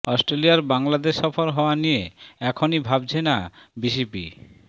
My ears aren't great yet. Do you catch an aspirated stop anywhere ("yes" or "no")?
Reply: yes